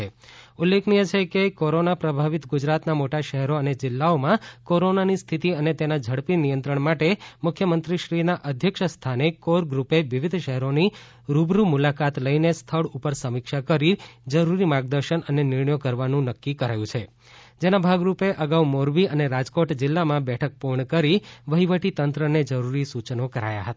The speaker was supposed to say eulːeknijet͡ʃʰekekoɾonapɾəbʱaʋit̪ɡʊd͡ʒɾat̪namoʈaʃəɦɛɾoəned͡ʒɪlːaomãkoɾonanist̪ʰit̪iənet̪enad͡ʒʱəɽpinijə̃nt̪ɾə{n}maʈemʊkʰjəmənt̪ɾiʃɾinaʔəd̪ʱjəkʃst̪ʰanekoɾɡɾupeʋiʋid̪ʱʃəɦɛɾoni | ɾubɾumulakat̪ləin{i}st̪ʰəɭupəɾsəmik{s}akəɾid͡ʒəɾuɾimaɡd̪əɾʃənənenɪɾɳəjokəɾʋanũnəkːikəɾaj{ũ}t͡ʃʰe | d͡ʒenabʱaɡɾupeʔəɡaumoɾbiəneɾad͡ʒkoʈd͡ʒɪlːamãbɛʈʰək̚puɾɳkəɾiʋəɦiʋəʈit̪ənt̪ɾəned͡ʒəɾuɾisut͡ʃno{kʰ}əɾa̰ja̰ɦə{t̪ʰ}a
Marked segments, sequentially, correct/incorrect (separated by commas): incorrect, incorrect, incorrect, correct, incorrect, incorrect